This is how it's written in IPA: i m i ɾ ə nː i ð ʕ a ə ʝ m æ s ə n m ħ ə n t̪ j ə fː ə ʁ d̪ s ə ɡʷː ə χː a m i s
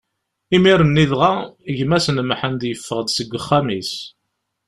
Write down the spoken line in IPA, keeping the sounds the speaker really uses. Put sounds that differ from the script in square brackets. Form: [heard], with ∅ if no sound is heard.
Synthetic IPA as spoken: i m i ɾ ə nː i ð [ʁ] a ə ʝ m æ s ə n m ħ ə n [d̪] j ə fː ə ʁ d̪ s ə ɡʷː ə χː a m i s